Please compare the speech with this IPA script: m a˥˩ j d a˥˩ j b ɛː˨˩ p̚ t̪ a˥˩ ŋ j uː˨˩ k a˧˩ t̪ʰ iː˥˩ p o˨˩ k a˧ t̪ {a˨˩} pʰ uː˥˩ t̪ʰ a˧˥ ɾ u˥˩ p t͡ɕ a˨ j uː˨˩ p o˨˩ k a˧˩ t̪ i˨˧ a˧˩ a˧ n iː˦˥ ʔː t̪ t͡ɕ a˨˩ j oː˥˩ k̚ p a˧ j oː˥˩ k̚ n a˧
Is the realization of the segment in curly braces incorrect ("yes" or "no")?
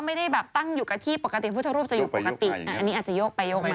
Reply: yes